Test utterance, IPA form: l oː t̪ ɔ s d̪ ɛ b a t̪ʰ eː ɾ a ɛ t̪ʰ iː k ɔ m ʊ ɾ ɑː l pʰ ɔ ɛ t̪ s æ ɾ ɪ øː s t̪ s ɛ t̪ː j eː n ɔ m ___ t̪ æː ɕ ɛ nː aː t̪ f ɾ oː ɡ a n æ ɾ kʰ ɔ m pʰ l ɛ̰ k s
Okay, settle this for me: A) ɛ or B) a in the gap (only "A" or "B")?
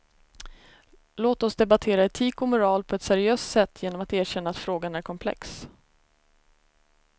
B